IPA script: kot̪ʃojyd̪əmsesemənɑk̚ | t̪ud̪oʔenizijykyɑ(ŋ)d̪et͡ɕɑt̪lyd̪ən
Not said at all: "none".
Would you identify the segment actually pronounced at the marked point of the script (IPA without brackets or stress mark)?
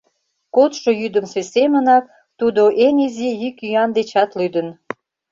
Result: n